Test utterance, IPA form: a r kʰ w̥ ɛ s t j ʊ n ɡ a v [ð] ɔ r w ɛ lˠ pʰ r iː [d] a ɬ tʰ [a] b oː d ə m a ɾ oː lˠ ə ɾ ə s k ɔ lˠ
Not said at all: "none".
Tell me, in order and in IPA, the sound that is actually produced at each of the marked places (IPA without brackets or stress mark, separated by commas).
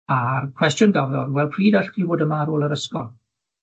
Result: ð, d, i